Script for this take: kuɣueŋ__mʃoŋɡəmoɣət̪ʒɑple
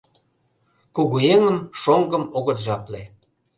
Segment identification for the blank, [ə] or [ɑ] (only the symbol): ə